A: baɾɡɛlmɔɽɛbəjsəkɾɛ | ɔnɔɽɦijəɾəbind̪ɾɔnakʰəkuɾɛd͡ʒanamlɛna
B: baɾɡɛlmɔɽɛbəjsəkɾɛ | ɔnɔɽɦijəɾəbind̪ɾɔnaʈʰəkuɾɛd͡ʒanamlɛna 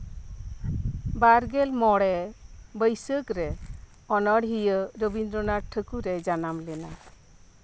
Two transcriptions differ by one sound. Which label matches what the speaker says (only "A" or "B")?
B